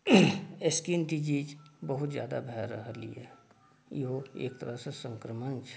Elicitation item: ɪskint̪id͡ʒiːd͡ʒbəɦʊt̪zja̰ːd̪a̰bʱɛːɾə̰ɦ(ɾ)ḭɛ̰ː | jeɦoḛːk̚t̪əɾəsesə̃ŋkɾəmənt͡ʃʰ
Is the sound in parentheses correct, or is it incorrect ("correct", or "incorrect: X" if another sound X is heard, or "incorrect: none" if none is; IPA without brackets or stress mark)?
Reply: incorrect: l